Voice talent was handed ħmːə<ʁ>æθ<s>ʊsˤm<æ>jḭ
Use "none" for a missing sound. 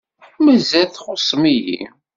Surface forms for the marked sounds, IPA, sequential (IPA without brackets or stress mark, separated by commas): z, χ, i